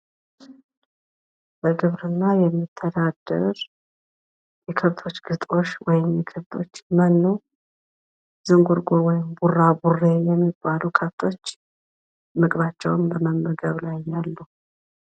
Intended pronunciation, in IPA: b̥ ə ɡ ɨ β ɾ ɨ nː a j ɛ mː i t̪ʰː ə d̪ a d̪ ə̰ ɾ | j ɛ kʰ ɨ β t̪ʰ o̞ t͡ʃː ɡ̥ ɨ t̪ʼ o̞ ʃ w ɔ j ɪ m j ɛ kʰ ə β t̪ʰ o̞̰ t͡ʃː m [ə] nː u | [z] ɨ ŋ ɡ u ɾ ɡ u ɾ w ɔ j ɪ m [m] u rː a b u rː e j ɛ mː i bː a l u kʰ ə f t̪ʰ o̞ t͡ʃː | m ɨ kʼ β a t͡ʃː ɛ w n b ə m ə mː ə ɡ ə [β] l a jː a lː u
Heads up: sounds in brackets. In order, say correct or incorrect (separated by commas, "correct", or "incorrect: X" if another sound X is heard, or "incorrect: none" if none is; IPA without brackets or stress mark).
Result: correct, correct, incorrect: b, correct